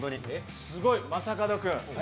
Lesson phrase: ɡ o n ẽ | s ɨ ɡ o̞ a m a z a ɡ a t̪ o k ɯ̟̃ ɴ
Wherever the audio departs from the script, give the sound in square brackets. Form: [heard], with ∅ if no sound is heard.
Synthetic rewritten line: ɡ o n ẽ | s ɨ ɡ o̞ [i] m a [s] a [k] a [d̪] o k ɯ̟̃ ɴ